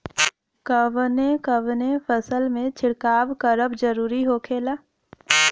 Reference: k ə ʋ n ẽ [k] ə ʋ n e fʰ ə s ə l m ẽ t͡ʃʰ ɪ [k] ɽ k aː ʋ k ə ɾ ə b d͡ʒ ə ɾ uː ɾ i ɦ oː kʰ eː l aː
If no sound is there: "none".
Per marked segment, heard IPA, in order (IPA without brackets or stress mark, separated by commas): k, none